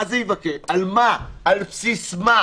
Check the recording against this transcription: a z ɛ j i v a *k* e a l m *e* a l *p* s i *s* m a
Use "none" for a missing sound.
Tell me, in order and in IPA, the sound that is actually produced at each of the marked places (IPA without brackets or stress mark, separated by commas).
k, a, p, s